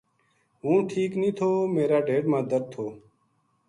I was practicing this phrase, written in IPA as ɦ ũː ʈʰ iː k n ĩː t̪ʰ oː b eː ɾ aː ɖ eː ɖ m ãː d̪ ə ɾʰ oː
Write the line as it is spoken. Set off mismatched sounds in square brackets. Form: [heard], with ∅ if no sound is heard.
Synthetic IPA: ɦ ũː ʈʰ iː k n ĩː t̪ʰ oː [m] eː ɾ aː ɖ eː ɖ m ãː d̪ ə ɾʰ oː

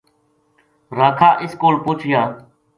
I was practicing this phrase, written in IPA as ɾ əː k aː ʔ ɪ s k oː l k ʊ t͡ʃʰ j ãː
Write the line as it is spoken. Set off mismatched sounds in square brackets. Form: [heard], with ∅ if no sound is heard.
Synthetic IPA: ɾ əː [kʰ] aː ʔ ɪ s k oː l [p] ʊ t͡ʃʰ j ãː

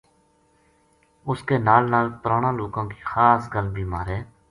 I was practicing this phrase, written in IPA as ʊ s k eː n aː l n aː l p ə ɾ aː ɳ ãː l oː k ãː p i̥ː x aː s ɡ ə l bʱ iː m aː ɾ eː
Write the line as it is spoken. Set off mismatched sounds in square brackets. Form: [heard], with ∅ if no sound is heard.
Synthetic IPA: ʊ s k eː n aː l n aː l p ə ɾ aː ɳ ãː l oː k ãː [k] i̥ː x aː s ɡ ə l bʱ iː m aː ɾ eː

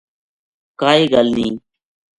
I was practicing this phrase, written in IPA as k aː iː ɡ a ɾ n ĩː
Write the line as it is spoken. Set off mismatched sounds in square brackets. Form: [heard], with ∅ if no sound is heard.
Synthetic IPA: k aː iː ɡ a [l] n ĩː

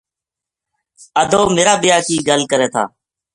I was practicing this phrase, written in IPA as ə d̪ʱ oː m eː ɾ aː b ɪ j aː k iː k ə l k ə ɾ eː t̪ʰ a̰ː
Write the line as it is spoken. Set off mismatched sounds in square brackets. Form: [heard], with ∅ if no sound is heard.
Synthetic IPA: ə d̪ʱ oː m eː ɾ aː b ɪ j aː k iː [ɡ] ə l k ə ɾ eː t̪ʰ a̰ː

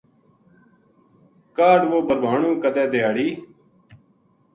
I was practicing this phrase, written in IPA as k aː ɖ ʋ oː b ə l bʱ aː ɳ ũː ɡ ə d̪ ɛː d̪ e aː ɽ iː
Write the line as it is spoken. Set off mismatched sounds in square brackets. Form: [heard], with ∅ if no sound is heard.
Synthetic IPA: k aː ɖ ʋ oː b ə [ɾ] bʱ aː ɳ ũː [k] ə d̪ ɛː d̪ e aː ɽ iː

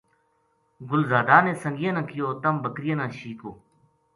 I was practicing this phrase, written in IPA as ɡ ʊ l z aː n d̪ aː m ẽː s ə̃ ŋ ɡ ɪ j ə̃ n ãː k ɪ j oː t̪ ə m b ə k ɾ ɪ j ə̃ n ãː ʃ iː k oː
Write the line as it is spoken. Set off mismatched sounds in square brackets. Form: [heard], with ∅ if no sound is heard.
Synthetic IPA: ɡ ʊ l z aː [∅] d̪ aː [n] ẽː s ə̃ ŋ ɡ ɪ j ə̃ n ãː k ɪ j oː t̪ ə m b ə k ɾ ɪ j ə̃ n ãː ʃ iː k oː

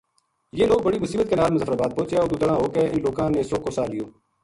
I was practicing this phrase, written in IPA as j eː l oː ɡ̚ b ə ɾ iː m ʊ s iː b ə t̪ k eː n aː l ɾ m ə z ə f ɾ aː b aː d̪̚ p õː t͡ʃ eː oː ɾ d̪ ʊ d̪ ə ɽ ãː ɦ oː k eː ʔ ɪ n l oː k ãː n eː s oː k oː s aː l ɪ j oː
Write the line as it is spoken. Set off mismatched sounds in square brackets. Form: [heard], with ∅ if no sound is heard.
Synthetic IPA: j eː l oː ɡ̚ b ə [ɽ] iː m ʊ s iː b ə t̪ k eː n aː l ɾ m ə z ə f ɾ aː b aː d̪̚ p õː t͡ʃ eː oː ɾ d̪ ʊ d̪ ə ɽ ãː ɦ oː k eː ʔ ɪ n l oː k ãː n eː s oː k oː s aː l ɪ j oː

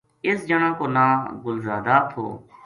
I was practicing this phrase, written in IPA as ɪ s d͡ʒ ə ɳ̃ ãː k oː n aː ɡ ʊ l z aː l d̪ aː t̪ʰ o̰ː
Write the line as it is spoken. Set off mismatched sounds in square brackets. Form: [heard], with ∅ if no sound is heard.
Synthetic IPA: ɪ s d͡ʒ ə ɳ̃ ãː k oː n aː ɡ ʊ l z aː [∅] d̪ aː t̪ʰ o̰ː

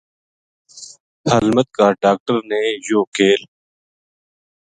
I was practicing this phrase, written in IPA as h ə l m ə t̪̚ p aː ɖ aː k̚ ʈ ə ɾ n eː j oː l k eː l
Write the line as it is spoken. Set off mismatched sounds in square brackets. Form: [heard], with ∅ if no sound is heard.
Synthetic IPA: h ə l m ə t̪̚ [k] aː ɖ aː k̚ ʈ ə ɾ n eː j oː [∅] k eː l

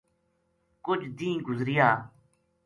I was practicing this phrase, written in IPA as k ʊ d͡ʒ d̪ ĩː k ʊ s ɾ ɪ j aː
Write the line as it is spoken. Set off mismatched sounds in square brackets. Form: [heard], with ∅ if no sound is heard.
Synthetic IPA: k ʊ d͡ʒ d̪ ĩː [ɡ] ʊ [z] ɾ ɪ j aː

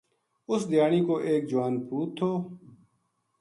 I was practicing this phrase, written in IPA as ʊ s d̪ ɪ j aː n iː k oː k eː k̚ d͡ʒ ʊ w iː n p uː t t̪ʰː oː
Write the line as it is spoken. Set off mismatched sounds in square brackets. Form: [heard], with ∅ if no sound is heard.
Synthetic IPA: ʊ s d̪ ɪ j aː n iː k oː [ʔ] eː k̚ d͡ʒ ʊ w [aː] n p uː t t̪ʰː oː

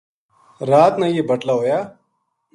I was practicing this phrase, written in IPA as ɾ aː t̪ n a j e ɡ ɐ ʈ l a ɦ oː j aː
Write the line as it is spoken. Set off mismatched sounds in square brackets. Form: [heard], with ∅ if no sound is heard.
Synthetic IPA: ɾ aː t̪ n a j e [b] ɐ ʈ l a ɦ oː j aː

